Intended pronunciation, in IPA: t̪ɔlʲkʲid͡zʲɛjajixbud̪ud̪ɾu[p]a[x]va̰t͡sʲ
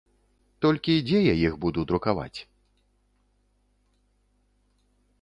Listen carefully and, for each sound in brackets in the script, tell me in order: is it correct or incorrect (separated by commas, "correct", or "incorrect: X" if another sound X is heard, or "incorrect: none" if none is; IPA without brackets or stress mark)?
incorrect: k, incorrect: none